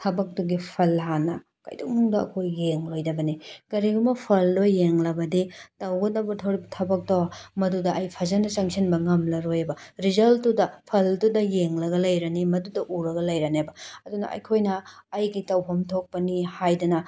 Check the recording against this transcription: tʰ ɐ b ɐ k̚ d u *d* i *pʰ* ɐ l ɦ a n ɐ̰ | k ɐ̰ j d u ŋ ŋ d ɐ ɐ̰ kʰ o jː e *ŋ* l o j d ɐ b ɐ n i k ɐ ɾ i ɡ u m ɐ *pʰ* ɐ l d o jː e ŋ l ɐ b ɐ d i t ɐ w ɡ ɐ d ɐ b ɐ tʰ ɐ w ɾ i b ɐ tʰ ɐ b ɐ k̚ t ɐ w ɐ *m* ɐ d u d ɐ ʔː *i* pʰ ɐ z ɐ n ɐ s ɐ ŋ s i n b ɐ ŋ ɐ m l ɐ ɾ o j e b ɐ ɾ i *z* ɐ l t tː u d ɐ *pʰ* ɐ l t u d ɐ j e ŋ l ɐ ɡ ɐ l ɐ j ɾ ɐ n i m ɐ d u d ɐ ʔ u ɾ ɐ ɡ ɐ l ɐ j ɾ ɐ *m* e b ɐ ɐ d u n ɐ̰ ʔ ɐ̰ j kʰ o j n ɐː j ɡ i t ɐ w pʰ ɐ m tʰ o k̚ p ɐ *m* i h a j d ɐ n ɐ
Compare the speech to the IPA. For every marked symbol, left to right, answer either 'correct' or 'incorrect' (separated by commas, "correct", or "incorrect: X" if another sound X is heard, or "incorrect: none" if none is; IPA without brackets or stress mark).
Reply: incorrect: ɡ, correct, correct, correct, correct, incorrect: j, correct, correct, incorrect: n, incorrect: n